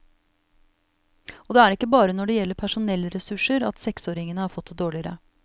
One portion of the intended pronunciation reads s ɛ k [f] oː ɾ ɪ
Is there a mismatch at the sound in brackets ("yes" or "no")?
yes